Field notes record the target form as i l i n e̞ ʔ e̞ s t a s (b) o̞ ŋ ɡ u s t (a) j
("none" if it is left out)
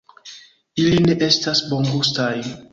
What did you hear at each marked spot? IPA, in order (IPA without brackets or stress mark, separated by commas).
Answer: b, a